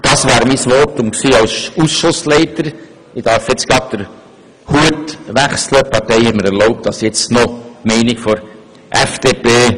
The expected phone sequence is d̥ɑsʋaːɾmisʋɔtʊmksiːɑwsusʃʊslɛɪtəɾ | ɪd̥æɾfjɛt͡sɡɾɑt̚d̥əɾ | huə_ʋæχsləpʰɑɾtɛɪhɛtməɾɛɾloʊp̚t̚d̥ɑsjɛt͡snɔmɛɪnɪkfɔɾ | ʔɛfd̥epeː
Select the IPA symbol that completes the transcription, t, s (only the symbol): t